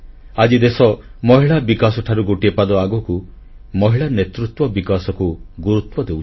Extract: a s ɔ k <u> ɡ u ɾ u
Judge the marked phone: correct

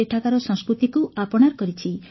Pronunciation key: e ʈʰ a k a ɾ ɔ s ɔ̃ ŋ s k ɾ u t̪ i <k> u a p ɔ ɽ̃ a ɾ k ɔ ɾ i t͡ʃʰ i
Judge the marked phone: correct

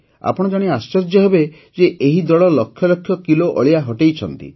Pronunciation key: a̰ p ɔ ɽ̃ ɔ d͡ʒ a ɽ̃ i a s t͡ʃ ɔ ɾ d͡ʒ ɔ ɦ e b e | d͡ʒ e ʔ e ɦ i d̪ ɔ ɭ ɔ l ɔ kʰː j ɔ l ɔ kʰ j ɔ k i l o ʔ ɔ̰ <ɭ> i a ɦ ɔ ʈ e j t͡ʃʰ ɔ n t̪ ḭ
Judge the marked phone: correct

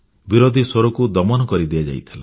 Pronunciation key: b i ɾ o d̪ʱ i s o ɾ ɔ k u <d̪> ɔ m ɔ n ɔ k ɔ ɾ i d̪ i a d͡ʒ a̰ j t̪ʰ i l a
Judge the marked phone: correct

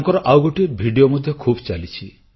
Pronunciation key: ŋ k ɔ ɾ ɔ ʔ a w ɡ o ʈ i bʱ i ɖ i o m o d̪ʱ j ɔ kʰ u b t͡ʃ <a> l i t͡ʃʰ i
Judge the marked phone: correct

